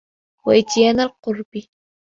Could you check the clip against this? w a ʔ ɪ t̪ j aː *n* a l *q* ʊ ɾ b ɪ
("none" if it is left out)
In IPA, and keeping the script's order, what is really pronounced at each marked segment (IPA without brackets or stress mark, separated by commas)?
n, q